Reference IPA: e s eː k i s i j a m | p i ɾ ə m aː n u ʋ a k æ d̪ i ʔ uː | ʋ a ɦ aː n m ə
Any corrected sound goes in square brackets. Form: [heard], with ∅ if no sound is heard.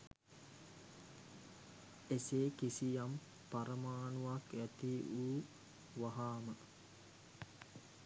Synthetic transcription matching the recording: e s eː k i s i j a m | p [a] ɾ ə m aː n u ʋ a k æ [t̪] i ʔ uː | ʋ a ɦ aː [∅] m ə